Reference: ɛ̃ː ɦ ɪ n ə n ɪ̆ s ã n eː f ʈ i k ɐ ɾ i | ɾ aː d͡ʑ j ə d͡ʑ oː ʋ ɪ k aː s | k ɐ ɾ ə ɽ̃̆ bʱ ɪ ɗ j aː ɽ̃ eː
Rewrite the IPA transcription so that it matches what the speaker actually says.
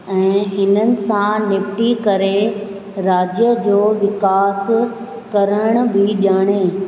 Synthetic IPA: ɛ̃ː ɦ ɪ n ə n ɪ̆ s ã n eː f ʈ i k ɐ ɾ e | ɾ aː d͡ʑ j ə d͡ʑ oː ʋ ɪ k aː s | k ɐ ɾ ə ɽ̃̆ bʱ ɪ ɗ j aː ɽ̃ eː